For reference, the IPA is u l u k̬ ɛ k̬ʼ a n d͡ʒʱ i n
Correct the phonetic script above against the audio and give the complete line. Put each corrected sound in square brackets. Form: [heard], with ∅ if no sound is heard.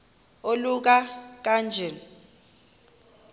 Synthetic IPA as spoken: [o] l u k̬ [a] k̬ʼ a n d͡ʒʱ [ɛ] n